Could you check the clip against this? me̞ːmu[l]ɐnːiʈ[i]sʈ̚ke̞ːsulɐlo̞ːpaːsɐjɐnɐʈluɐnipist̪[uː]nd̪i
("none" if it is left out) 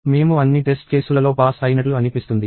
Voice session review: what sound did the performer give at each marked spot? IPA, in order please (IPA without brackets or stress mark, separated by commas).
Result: none, e, u